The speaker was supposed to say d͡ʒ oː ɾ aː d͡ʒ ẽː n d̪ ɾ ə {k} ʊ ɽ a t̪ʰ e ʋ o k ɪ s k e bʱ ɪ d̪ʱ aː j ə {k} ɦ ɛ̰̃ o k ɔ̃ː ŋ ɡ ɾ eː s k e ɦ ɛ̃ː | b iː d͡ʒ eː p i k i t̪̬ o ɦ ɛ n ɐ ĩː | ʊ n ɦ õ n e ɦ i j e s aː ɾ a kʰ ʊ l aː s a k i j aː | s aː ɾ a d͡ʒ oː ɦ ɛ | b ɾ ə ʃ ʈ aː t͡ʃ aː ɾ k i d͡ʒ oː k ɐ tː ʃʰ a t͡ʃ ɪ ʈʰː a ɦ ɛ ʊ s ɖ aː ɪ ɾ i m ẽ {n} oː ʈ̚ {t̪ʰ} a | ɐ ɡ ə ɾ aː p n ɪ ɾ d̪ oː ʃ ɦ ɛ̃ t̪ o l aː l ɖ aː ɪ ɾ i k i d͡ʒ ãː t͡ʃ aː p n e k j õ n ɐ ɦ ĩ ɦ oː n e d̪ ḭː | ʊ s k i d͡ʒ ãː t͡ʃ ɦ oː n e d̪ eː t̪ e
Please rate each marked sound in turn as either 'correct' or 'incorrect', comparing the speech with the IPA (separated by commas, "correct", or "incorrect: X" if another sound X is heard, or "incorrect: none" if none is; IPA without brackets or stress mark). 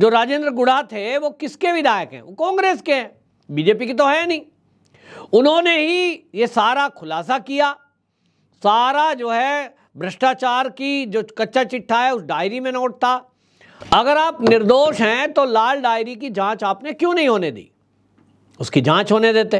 incorrect: ɡ, correct, correct, incorrect: t̪